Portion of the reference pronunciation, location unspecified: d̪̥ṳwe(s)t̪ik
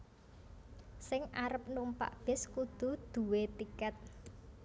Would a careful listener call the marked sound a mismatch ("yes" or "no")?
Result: yes